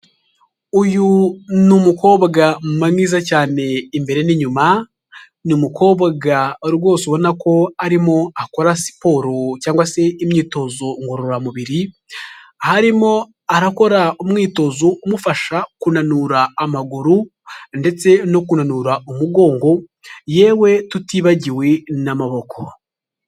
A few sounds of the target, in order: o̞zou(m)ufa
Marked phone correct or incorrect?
correct